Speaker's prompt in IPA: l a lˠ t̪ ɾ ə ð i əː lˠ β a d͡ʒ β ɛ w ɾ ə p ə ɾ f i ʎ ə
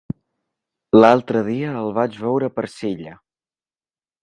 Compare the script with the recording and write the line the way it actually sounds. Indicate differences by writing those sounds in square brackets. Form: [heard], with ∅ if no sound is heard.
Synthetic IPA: l a lˠ t̪ ɾ ə ð i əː lˠ β a d͡ʒ β ɛ w ɾ ə p ə ɾ [s] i ʎ ə